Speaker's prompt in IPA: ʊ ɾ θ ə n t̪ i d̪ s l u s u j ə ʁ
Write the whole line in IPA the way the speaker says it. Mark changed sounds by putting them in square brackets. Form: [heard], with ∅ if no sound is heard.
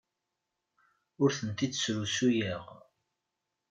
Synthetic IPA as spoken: ʊ ɾ θ ə n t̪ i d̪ s [ɾ] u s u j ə ʁ